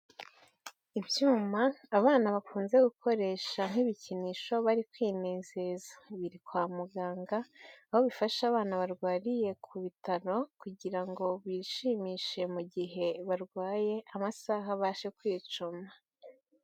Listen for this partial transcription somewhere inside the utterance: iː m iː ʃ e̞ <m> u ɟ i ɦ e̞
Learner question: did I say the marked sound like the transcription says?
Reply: yes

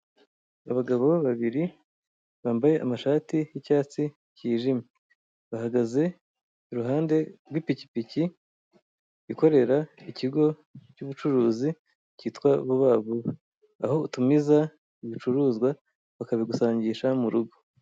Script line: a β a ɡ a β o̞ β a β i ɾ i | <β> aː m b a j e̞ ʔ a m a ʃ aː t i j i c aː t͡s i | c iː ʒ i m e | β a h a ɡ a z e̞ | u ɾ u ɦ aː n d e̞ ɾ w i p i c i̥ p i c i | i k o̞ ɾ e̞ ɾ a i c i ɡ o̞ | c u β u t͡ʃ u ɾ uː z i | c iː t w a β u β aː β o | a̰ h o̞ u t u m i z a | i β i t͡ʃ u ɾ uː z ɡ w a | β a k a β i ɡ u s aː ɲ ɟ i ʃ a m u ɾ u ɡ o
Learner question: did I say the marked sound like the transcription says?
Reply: yes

